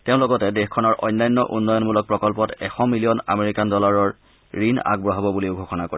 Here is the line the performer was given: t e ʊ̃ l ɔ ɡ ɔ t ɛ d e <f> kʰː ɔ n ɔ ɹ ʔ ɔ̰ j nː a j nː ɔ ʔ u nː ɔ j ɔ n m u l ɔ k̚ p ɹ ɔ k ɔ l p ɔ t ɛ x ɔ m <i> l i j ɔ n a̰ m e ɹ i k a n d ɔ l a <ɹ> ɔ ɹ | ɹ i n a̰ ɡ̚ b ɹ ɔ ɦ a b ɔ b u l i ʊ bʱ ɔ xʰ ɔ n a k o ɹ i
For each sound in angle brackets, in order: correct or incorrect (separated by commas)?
incorrect, correct, correct